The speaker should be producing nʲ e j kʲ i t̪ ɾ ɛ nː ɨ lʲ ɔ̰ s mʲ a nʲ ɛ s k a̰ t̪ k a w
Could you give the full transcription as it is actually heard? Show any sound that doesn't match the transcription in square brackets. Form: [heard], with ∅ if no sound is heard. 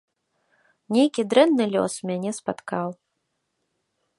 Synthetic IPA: nʲ e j kʲ i [d̪] ɾ ɛ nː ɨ lʲ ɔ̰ s mʲ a nʲ ɛ s [p] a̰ t̪ k a w